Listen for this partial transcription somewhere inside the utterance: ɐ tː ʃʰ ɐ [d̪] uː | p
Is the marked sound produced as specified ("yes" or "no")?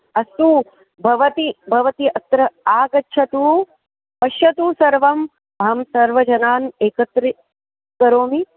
no